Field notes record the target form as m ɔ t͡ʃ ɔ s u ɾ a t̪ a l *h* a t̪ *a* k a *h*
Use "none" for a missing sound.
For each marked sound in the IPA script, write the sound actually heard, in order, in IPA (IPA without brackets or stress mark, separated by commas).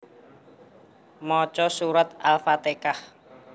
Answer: f, e, h